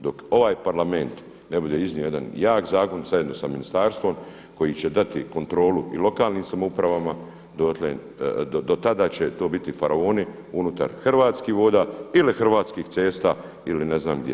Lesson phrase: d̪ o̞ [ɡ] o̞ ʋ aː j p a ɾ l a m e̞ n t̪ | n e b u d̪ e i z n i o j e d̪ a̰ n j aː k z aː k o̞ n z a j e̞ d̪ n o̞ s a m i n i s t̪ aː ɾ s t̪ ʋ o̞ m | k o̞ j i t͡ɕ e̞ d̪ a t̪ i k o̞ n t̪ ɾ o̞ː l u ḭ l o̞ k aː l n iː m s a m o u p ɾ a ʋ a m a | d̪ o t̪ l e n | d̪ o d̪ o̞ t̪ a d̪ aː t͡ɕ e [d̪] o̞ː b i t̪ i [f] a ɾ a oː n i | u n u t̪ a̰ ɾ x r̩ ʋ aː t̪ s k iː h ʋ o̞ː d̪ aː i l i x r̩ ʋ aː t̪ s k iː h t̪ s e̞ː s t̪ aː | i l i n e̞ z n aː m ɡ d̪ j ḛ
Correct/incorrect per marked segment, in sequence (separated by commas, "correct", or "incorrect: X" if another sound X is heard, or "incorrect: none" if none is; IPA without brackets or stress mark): incorrect: k, incorrect: t̪, correct